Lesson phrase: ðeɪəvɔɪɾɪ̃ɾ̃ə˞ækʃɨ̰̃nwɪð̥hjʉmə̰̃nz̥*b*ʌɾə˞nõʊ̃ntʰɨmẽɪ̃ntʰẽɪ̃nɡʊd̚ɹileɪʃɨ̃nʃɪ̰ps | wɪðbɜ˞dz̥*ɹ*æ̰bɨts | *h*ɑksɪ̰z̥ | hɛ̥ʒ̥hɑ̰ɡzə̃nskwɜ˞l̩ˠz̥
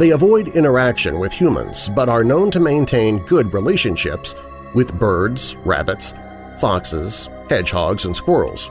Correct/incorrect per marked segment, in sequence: correct, correct, incorrect

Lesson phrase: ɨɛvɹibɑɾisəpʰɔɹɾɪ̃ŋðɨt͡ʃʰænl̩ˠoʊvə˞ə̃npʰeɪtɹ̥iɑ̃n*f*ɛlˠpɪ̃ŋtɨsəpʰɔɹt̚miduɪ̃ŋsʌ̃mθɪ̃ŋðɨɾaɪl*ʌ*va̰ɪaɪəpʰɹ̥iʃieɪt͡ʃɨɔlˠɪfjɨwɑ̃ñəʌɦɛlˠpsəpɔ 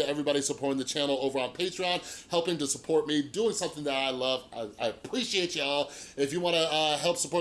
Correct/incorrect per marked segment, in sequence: incorrect, correct

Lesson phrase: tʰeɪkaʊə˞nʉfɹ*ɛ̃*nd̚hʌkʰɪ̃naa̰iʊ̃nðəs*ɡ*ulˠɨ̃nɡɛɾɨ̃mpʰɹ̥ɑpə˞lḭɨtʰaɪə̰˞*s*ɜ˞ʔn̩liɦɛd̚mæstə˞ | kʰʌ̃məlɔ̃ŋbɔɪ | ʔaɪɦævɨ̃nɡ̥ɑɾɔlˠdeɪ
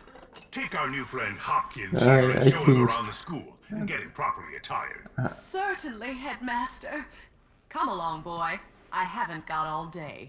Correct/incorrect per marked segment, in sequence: correct, incorrect, correct

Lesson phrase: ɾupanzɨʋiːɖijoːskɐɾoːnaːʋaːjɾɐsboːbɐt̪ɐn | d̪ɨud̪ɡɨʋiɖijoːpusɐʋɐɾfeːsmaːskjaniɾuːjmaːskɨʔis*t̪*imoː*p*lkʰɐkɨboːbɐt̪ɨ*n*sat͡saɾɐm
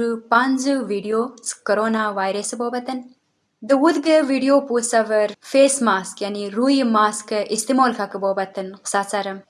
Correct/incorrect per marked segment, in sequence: correct, incorrect, correct

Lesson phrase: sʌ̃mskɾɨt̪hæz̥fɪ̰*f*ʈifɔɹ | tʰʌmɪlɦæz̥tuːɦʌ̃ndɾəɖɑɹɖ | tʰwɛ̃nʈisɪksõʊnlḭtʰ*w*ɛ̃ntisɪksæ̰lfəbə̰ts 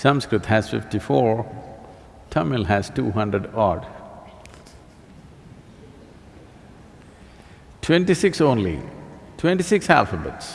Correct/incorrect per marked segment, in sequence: correct, correct

